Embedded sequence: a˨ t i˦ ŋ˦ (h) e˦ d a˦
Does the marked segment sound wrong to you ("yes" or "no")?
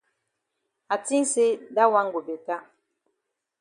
yes